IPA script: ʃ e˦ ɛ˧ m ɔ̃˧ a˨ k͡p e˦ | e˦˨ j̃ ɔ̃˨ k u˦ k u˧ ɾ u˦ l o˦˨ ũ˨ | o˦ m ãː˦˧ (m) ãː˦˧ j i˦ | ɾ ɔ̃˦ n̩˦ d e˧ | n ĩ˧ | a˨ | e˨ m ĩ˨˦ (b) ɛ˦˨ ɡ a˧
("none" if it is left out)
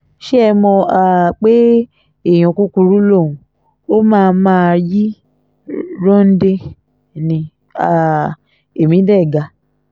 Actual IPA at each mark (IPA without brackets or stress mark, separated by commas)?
m, d